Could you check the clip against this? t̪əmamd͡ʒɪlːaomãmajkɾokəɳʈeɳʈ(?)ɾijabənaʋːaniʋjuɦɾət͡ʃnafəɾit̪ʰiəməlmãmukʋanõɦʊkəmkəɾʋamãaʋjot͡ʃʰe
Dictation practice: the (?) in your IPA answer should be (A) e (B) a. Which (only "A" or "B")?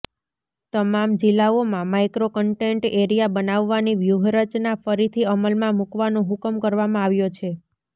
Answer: A